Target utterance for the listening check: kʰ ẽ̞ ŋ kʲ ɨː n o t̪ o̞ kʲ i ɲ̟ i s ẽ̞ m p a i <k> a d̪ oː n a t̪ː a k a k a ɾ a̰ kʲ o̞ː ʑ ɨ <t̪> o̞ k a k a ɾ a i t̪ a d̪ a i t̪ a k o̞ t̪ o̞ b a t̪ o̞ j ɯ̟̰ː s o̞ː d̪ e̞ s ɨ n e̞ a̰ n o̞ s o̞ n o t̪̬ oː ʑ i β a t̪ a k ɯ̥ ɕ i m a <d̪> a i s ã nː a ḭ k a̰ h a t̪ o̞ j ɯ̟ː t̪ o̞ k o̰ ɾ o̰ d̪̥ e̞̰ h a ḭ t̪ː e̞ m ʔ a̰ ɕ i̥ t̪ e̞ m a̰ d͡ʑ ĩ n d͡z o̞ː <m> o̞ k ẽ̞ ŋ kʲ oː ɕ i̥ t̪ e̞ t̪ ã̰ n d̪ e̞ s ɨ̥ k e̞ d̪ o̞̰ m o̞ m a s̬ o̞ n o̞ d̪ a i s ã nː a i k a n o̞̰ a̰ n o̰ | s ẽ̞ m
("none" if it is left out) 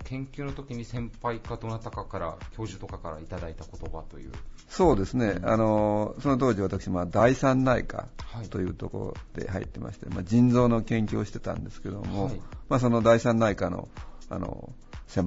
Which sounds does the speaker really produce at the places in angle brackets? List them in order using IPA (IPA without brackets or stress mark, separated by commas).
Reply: k, t̪, d̪, n